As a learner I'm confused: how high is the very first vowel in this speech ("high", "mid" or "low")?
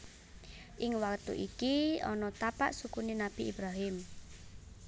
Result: high